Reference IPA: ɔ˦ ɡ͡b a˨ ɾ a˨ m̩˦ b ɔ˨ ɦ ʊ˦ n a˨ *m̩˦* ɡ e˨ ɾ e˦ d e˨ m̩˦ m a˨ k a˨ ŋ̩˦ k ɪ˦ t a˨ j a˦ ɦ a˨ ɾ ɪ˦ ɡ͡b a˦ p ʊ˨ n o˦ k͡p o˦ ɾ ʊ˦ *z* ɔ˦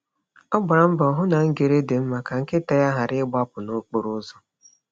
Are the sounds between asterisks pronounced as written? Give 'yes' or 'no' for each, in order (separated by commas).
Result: no, yes